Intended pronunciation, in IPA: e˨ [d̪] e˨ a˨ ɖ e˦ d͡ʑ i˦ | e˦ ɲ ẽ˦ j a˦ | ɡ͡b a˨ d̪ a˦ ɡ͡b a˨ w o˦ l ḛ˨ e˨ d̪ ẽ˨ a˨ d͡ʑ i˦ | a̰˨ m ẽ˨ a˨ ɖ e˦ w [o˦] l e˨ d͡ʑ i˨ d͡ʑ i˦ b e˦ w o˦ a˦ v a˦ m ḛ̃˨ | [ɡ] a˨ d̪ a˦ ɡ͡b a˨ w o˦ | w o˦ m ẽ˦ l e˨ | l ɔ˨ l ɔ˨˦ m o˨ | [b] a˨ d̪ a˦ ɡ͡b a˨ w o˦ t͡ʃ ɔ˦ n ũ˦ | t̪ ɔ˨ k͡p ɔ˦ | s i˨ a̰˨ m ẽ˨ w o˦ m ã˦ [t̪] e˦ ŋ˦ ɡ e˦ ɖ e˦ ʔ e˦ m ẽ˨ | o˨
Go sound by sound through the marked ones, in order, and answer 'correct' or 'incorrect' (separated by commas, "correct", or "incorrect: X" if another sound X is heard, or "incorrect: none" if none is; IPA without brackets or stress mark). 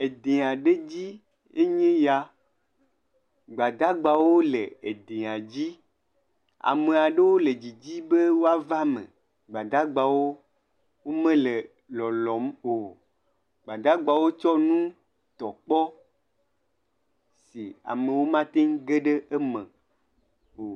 correct, correct, incorrect: ɡ͡b, incorrect: ɡ͡b, correct